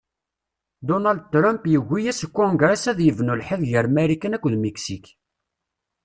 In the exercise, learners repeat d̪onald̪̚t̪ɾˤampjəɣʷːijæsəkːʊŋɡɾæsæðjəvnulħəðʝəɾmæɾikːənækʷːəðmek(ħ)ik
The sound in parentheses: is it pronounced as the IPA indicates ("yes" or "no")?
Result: no